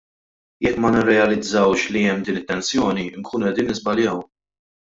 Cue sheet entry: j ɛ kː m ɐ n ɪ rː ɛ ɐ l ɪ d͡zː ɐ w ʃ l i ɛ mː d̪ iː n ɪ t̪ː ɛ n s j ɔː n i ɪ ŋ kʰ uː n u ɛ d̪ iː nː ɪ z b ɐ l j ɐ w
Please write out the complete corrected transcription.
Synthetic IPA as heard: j ɛ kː m ɐ n ɪ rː ɛ ɐ l ɪ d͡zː ɐ w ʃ l i ɛ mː d̪ iː n ɪ t̪ː ɛ n s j ɔː n i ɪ ŋ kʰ uː n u ɛ d̪ iː nː ɪ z b ɐ l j ɐ w